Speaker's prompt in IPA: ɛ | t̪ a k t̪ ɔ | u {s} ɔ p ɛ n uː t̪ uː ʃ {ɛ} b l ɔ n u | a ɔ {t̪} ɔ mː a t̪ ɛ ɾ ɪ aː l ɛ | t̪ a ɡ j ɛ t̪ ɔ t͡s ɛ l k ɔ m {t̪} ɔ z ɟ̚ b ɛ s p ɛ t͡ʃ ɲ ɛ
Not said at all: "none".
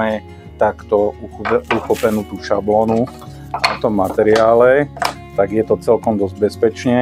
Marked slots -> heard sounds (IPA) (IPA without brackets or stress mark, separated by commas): x, a, t̪, d̪